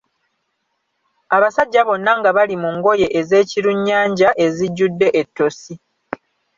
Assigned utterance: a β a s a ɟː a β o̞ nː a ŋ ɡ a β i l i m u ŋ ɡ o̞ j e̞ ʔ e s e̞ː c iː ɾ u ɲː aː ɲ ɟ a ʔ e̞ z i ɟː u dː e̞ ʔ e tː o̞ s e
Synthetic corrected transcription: a β a s a ɟː a β o̞ nː a ŋ ɡ a β a l i m u ŋ ɡ o̞ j e̞ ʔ e z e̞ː c i ɾ u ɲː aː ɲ ɟ a ʔ e̞ z i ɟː u dː e̞ ʔ e tː o̞ s i